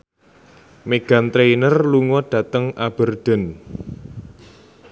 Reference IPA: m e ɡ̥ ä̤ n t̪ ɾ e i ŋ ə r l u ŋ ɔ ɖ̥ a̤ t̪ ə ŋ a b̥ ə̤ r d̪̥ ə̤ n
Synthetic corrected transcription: m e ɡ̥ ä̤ n t̪ ɾ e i n ə r l u ŋ ɔ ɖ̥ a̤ t̪ ə ŋ a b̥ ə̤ r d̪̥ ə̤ n